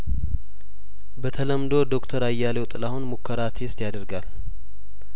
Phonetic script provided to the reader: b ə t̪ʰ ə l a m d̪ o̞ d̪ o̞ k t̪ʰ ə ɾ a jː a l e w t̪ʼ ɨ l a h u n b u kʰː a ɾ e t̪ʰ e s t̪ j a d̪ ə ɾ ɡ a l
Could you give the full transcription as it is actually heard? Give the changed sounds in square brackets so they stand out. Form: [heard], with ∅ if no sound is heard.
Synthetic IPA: b ə t̪ʰ ə l [ə] m d̪ o̞ d̪ o̞ k t̪ʰ ə ɾ a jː a l e w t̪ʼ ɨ l a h u n [m] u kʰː [ə] ɾ [a] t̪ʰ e s t̪ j a d̪ ə ɾ ɡ a l